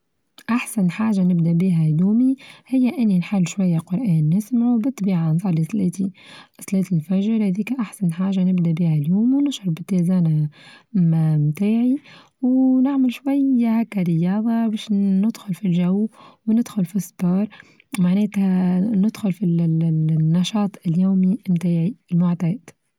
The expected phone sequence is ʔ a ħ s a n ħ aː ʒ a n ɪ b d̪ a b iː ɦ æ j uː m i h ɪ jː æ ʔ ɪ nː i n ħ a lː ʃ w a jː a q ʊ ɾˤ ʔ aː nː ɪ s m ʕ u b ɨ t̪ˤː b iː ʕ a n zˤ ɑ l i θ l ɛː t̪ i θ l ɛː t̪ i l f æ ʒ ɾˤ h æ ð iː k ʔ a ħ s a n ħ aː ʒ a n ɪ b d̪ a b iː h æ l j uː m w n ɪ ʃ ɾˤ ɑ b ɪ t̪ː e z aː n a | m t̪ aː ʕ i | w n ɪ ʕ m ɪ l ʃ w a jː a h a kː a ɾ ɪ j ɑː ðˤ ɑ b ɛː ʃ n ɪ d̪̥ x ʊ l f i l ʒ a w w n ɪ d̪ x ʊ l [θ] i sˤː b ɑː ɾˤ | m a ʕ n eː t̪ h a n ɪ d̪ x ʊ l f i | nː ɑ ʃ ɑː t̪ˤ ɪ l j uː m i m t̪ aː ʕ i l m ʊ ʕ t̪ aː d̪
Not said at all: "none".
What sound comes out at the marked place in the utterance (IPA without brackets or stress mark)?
f